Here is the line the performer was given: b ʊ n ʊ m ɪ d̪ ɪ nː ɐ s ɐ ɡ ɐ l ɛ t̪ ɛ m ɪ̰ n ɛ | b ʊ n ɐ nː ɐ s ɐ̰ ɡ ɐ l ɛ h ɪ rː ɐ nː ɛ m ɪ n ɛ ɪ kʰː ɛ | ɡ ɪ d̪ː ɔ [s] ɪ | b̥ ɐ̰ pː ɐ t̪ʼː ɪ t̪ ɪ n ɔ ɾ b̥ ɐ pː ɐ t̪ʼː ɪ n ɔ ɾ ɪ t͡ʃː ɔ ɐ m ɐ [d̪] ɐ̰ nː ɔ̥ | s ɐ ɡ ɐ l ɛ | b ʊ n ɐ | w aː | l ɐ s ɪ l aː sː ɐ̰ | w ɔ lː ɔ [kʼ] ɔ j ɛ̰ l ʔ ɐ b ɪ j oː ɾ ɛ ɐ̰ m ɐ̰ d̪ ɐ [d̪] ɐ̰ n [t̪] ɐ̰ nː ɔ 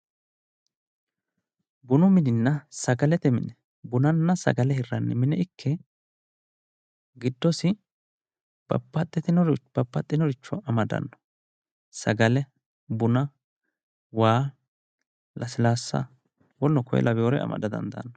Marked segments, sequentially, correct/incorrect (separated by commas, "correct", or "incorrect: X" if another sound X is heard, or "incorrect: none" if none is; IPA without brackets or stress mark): correct, correct, incorrect: k, correct, incorrect: d̪